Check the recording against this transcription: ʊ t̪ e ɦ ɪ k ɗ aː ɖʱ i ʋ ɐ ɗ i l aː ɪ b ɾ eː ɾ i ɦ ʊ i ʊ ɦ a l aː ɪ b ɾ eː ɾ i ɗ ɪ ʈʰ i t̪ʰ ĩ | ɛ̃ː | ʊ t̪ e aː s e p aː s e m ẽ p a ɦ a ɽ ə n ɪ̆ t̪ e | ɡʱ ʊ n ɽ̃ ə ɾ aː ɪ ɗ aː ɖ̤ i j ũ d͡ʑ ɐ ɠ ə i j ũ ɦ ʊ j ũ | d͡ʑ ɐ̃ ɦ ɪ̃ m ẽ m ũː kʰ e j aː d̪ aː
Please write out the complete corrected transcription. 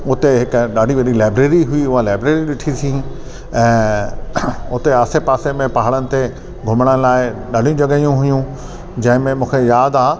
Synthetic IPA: ʊ t̪ e ɦ ɪ k ɗ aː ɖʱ i ʋ ɐ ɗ i l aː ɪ b ɾ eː ɾ i ɦ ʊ i ʊ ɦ a l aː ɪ b ɾ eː ɾ i ɗ ɪ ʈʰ i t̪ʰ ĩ | ɛ̃ː | ʊ t̪ e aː s e p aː s e m ẽ p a ɦ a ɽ ə n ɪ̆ t̪ e | ɡʱ ʊ m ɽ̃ ə l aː ɪ ɗ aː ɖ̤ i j ũ d͡ʑ ɐ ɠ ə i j ũ ɦ ʊ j ũ | d͡ʑ ɐ̃ ɦ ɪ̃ m ẽ m ũː kʰ e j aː d̪ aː